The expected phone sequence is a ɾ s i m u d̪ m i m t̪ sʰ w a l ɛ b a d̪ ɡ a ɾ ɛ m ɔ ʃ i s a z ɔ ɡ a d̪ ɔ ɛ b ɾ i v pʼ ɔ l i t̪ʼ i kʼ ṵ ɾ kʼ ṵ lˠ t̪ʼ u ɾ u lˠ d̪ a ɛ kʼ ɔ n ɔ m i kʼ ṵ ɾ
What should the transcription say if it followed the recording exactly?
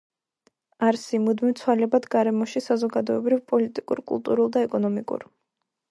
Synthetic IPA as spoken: a ɾ s i m u d̪ m i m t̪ sʰ w a l ɛ b a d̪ ɡ a ɾ ɛ m ɔ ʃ i s a z ɔ ɡ a d̪ ɔ ɛ b ɾ i v pʼ ɔ l i t̪ʼ i kʼ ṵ ɾ kʼ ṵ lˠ t̪ʼ u ɾ u lˠ d̪ a ɛ kʼ ɔ n ɔ m i kʼ ṵ ɾ